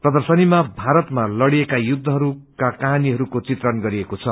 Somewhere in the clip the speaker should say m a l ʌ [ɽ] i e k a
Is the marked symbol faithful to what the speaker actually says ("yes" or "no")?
yes